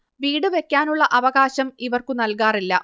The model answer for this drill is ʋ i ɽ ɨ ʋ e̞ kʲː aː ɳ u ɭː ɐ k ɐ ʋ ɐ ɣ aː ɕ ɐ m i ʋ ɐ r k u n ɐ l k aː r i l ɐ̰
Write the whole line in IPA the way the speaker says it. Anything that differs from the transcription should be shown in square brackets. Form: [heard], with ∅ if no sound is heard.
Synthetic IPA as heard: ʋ [iː] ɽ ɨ ʋ e̞ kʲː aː [n] u ɭː ɐ [ʔ] ɐ ʋ ɐ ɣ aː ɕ ɐ m i ʋ ɐ r k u n ɐ l k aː r i [lː] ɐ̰

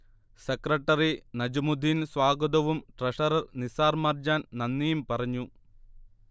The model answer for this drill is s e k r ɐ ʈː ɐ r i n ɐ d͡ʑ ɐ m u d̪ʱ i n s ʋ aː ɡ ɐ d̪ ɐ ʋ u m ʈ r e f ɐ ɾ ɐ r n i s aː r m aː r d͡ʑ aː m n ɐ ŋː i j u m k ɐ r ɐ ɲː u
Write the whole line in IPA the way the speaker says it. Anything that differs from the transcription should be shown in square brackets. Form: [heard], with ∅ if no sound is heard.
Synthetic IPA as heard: s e k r ɐ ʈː ɐ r i n ɐ d͡ʑ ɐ m u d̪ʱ i n s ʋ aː ɡ ɐ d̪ ɐ ʋ u m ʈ r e [ʂ] ɐ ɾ ɐ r n i s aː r m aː r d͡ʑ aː [n] n ɐ [nː] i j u m [p] ɐ r ɐ ɲː u

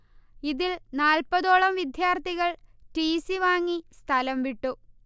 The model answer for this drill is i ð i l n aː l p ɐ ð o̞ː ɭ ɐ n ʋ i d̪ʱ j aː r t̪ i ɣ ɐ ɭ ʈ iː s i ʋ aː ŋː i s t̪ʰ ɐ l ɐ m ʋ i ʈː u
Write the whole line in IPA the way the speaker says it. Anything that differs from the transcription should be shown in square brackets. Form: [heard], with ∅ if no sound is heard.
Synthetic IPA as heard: i ð i l n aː l p ɐ ð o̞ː ɭ ɐ [m] ʋ i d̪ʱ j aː r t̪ i ɣ ɐ ɭ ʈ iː s i ʋ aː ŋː i s t̪ʰ ɐ l ɐ m ʋ i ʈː u

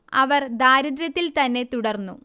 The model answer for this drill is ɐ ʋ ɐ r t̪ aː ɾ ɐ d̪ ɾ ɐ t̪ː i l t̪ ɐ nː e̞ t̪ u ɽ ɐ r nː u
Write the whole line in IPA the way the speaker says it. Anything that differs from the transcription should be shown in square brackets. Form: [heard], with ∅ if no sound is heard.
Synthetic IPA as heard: ɐ ʋ ɐ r [d̪] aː ɾ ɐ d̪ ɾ ɐ t̪ː i l t̪ ɐ nː e̞ t̪ u ɽ ɐ r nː u

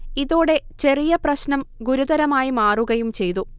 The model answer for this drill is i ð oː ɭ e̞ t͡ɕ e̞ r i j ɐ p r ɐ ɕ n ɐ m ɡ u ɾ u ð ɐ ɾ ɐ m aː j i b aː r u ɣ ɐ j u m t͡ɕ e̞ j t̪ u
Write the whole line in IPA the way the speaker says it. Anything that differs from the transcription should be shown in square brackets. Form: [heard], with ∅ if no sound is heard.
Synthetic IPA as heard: i ð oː [ɽ] e̞ t͡ɕ e̞ r i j ɐ p r ɐ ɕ n ɐ m ɡ u ɾ u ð ɐ ɾ ɐ m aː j i [m] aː r u ɣ ɐ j u m t͡ɕ e̞ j t̪ u

